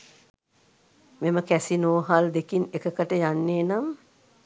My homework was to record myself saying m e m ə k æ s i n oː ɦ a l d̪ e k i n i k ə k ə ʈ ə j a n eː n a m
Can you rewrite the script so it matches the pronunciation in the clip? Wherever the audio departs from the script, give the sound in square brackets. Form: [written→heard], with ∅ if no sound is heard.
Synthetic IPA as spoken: m e m ə k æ s i n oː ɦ a l d̪ e k i n [i→e] k ə k ə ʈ ə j a [n→nː] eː n a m